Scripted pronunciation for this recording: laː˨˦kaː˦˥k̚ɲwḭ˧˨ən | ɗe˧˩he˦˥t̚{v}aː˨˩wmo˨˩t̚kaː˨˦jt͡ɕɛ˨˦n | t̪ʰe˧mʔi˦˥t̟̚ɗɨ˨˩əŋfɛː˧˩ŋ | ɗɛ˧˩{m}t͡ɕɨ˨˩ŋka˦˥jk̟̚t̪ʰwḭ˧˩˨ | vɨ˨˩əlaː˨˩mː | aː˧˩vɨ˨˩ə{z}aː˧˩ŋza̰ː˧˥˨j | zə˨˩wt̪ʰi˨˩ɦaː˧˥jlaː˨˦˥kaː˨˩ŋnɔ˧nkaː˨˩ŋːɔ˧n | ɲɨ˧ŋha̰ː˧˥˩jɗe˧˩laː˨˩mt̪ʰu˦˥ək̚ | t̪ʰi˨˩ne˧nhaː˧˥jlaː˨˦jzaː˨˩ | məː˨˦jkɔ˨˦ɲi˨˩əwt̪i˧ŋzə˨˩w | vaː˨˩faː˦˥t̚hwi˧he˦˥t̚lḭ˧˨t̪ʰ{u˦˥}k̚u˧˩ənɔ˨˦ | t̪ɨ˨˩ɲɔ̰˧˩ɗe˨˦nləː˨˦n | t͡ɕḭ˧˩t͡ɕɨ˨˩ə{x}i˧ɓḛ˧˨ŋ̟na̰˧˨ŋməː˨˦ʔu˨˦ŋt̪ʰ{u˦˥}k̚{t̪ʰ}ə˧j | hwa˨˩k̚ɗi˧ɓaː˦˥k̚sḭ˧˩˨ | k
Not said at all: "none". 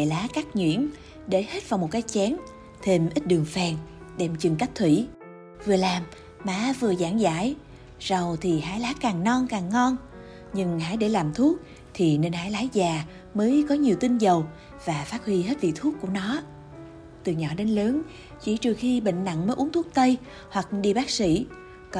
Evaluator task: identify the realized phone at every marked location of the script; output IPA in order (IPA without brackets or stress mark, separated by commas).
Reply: v, m, z, u˦˥, x, u˦˥, t̪